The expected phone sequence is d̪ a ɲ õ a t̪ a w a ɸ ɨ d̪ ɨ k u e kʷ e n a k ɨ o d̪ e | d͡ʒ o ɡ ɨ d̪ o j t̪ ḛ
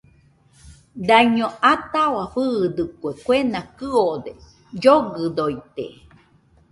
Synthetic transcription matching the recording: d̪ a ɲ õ a t̪ a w a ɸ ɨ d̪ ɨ k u e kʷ e n a k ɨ o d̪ e | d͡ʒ o ɡ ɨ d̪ o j t̪ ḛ